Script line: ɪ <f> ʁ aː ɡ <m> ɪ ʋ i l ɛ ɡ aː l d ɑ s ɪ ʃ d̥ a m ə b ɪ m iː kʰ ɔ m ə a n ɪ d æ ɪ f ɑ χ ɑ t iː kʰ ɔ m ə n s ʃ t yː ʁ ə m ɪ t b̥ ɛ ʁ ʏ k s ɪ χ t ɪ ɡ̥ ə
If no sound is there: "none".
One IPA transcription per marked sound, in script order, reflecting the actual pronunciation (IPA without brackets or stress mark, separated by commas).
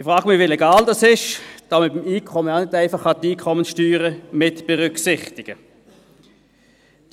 f, m